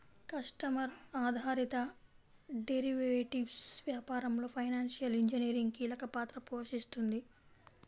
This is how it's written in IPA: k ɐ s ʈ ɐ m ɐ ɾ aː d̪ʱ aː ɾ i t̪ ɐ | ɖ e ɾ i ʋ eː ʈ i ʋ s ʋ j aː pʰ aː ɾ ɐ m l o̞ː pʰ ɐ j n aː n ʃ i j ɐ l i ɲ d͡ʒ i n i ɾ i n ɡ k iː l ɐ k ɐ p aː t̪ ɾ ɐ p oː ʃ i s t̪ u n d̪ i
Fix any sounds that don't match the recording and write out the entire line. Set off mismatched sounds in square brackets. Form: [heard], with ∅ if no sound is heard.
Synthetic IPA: k ɐ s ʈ ɐ m ɐ ɾ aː d̪ʱ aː ɾ i t̪ ɐ | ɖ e ɾ i ʋ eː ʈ i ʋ s ʋ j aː [p] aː ɾ ɐ m l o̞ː pʰ ɐ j n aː n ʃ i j ɐ l i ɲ d͡ʒ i n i ɾ i [ŋ] ɡ k iː l ɐ k ɐ p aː t̪ ɾ ɐ p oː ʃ i s t̪ u n d̪ i